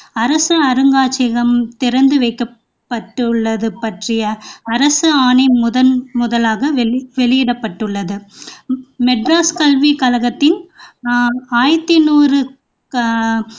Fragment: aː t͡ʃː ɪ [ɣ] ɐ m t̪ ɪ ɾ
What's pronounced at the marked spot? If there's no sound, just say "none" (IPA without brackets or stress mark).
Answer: ɣ